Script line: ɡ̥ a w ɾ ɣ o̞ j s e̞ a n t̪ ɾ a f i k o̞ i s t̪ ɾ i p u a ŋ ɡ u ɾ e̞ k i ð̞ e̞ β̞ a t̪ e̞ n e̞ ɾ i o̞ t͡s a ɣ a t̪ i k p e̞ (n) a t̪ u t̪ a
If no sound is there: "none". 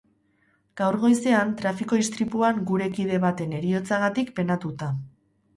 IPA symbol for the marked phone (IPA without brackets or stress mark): n